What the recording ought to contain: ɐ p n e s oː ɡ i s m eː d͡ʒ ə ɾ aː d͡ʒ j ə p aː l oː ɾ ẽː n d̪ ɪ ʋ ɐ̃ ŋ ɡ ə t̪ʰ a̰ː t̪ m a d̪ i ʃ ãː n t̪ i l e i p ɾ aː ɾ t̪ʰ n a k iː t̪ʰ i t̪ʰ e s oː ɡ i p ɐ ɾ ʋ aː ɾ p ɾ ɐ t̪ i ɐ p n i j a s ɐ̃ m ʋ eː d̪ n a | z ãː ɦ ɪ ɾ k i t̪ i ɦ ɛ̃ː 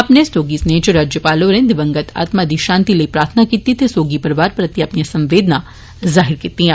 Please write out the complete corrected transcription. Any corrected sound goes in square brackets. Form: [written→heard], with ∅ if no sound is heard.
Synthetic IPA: ɐ p n e s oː ɡ i s [m→n] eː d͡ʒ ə ɾ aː d͡ʒ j ə p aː l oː ɾ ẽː n d̪ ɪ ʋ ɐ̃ ŋ ɡ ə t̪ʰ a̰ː t̪ m a d̪ i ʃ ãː n t̪ i l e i p ɾ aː ɾ t̪ʰ n a k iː [t̪ʰ→t̪] i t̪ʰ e s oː ɡ i p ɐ ɾ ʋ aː ɾ p ɾ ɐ t̪ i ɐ p n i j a s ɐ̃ m ʋ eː d̪ n a | z [ãː→aː] ɦ ɪ ɾ k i t̪ i ɦ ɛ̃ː